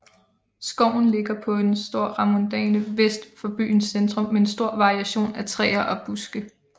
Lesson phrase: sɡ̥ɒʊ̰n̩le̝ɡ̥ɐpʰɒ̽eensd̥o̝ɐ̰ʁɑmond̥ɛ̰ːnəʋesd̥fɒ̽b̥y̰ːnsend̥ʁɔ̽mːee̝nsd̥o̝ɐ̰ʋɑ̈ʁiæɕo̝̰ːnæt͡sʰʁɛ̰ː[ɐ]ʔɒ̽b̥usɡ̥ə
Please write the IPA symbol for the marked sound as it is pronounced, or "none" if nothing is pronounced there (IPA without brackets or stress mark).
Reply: ɐ